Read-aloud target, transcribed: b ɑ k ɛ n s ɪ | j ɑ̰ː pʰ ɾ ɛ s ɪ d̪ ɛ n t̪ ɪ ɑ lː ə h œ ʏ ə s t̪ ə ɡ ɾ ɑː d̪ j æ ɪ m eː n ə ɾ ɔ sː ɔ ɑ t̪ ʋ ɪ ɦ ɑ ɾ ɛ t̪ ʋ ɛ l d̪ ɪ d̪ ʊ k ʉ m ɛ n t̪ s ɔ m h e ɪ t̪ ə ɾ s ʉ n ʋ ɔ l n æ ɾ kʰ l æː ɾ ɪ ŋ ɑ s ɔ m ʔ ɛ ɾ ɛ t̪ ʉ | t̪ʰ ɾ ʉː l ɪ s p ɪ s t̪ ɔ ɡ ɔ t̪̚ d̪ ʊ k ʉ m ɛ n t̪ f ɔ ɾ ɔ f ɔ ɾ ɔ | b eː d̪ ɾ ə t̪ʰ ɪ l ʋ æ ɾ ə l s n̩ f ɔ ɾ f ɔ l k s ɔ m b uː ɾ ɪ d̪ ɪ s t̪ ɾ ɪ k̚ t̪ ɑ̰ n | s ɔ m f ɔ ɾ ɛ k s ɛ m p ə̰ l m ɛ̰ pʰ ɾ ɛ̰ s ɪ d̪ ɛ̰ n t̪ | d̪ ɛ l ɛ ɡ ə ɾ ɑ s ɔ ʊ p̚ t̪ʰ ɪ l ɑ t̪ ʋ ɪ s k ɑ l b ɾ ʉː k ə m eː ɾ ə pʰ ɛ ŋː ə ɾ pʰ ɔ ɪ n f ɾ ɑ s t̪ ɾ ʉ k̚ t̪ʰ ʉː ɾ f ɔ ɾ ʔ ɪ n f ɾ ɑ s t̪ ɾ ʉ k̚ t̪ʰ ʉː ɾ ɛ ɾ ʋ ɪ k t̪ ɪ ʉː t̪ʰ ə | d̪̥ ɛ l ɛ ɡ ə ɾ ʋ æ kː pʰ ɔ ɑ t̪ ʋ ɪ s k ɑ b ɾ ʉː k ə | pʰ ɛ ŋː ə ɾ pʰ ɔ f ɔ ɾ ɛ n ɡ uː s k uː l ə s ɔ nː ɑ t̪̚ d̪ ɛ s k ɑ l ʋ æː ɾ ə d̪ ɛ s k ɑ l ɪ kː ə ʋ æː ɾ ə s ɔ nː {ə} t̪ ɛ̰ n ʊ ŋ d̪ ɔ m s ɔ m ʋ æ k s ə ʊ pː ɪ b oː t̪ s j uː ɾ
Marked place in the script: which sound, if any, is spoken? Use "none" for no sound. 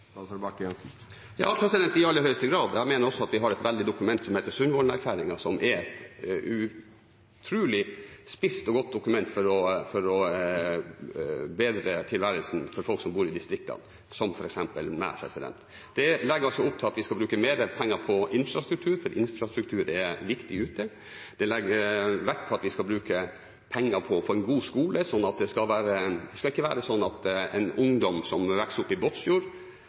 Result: ɑ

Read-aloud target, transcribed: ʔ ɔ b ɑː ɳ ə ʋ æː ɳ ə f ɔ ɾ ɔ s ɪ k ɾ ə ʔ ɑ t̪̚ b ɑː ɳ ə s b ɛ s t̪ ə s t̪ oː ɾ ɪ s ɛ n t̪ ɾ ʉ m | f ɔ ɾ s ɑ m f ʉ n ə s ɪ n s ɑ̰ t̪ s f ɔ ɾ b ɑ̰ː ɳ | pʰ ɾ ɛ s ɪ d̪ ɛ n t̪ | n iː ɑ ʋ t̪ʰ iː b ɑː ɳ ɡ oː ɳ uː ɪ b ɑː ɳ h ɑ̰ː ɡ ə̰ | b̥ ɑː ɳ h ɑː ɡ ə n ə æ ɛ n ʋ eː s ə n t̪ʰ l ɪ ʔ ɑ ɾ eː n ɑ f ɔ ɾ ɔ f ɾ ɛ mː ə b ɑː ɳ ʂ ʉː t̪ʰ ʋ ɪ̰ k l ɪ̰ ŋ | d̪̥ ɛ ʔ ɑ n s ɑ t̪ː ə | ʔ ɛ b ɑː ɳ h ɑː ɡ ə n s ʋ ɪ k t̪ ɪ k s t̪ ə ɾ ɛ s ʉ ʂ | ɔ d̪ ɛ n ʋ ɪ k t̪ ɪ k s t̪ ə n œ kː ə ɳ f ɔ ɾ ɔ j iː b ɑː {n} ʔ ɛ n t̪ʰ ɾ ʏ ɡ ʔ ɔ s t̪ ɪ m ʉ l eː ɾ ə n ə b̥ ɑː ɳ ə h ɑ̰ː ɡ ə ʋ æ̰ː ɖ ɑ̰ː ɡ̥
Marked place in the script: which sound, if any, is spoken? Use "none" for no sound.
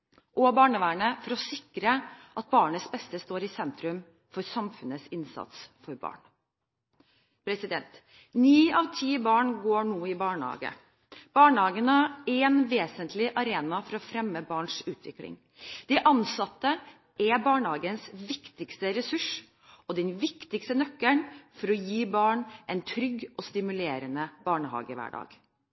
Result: ɳ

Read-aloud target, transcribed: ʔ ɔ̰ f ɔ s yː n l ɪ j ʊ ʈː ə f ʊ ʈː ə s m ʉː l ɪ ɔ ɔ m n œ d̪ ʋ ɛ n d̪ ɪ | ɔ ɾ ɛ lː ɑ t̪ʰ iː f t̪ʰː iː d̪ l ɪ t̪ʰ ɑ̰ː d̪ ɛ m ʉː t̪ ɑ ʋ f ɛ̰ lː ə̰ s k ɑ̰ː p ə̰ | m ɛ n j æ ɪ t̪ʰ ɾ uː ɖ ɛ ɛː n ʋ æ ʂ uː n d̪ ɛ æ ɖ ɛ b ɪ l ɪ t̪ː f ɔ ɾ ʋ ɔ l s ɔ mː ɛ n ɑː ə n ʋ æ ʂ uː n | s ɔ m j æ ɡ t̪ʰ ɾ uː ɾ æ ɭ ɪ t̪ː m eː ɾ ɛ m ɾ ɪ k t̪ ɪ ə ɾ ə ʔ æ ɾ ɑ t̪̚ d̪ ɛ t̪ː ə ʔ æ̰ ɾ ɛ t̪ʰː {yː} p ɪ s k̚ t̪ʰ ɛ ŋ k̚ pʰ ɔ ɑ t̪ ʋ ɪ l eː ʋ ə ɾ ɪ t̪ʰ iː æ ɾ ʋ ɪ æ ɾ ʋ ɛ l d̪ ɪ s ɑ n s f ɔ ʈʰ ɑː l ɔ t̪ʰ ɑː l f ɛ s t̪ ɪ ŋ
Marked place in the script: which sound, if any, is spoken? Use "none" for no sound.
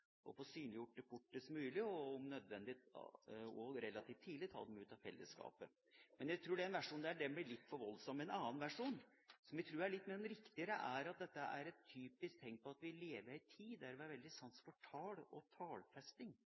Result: yː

